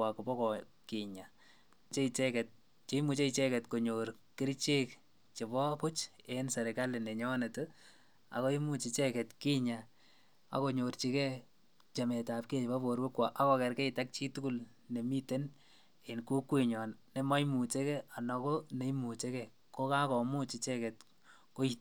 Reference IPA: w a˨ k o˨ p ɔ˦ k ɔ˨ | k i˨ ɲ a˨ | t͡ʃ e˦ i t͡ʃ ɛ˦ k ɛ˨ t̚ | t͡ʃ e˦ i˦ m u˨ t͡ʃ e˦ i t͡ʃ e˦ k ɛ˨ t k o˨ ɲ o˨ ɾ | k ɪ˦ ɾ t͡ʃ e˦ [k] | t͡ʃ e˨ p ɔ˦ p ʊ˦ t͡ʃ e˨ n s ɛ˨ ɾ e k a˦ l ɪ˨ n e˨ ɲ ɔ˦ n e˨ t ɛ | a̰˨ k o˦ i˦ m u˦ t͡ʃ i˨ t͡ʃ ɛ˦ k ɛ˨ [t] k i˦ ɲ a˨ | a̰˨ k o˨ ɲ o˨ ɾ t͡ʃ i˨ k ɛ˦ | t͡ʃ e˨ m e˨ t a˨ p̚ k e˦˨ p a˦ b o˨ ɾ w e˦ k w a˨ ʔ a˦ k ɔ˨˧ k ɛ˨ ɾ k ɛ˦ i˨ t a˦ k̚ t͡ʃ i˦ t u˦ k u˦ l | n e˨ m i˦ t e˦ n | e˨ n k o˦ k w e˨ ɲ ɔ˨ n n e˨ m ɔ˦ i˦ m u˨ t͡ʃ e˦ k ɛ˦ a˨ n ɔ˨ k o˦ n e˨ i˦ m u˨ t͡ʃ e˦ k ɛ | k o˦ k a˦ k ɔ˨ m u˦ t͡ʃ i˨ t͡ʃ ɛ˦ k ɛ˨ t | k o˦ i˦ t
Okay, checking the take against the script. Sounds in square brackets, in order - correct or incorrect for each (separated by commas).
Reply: correct, correct